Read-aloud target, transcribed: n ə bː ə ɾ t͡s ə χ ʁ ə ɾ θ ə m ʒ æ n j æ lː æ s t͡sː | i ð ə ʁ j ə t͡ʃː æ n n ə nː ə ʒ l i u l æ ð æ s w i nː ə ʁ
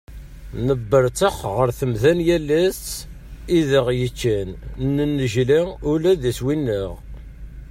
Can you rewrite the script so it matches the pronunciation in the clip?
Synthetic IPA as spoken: n ə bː ə ɾ t͡s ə χ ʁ ə ɾ θ ə m ð æ n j æ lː æ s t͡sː | i ð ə ʁ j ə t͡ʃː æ n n ə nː ə ʒ l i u l æ ð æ s w i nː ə ʁ

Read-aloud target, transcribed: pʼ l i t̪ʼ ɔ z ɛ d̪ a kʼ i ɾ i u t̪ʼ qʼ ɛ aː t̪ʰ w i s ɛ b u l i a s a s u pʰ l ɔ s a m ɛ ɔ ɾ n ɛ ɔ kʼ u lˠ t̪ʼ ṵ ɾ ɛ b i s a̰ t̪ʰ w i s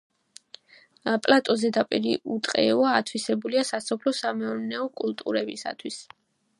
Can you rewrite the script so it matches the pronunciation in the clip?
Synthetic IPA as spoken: pʼ l a t̪ʼ ɔ z ɛ d̪ a pʼ i ɾ i u t̪ʼ qʼ ɛ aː t̪ʰ w i s ɛ b u l i a s a s ɔ pʰ l ɔ s a m ɛ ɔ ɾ n ɛ ɔ kʼ u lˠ t̪ʼ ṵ ɾ ɛ b i s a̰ t̪ʰ w i s

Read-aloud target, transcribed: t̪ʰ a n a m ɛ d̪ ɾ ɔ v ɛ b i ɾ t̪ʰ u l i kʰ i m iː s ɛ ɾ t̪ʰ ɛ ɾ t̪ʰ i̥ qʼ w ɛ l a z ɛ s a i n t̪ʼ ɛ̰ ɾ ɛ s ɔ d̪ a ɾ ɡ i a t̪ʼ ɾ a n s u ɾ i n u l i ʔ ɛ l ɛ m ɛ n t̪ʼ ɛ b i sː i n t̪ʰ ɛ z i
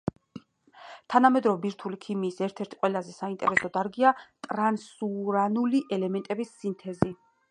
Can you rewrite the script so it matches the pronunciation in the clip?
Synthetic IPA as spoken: t̪ʰ a n a m ɛ d̪ ɾ ɔ v ɛ b i ɾ t̪ʰ u l i kʰ i m iː s ɛ ɾ t̪ʰ ɛ ɾ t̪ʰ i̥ qʼ w ɛ l a z ɛ s a i n t̪ʼ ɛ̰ ɾ ɛ s ɔ d̪ a ɾ ɡ i a t̪ʼ ɾ a n s u ɾ a n u l i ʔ ɛ l ɛ m ɛ n t̪ʼ ɛ b i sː i n t̪ʰ ɛ z i

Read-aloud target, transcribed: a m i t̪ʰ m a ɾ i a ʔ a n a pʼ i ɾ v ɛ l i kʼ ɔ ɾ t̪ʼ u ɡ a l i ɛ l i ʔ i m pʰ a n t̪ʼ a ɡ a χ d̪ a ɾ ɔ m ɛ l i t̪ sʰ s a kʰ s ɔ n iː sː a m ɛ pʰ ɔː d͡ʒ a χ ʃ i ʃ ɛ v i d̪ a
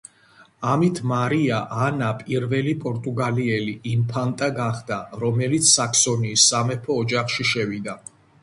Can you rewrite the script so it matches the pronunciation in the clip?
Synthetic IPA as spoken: a m i t̪ʰ m a ɾ i a ʔ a n a pʼ i ɾ v ɛ l i pʼ ɔ ɾ t̪ʼ u ɡ a l i ɛ l i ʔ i m pʰ a n t̪ʼ a ɡ a χ d̪ a ɾ ɔ m ɛ l i t̪ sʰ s a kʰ s ɔ n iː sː a m ɛ pʰ ɔː d͡ʒ a χ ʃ i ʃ ɛ v i d̪ a

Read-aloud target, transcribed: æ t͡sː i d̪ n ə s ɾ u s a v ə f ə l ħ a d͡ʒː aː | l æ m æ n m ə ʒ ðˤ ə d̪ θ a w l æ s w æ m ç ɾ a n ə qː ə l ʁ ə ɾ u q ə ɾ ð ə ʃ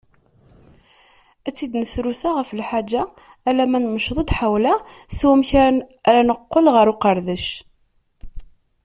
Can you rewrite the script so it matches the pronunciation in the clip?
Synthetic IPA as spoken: æ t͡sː i d̪ n ə s ɾ u s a ʁ ə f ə l ħ a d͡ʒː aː | l æ m æ n m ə ʃ ðˤ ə d̪ ħ a w l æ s w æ m ç ɾ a n ə qː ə l ʁ ə ɾ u q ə ɾ ð ə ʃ

